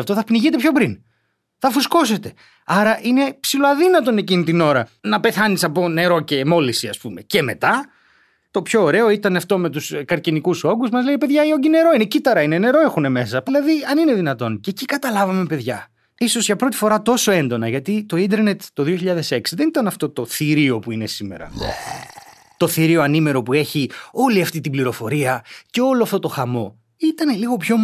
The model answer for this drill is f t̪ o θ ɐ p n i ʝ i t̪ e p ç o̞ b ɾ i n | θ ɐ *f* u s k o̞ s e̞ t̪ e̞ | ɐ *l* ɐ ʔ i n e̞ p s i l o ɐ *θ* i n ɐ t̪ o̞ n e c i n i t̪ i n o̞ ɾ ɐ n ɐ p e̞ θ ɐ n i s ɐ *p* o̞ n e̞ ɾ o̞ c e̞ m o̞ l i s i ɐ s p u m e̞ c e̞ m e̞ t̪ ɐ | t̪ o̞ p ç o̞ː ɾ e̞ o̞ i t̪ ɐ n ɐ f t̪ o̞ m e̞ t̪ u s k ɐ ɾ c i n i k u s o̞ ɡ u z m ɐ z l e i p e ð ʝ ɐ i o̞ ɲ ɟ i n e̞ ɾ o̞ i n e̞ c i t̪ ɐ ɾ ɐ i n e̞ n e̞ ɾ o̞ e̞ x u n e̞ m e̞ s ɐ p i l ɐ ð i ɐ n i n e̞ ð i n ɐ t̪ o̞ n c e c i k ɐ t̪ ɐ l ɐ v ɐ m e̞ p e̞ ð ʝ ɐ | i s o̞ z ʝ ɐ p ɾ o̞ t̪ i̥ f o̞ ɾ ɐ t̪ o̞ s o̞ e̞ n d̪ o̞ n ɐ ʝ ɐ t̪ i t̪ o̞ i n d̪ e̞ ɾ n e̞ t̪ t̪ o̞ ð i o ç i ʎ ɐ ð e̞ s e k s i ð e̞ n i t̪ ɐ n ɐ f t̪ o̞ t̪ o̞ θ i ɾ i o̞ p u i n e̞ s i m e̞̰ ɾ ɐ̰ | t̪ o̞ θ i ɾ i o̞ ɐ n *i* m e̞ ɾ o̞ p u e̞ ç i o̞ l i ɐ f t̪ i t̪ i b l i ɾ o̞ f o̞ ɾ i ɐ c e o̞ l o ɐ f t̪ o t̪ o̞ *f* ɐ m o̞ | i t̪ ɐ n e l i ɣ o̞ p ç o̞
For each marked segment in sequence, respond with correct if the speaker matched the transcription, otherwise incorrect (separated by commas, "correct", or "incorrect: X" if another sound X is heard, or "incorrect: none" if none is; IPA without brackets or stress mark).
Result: correct, incorrect: ɾ, incorrect: ð, correct, correct, incorrect: x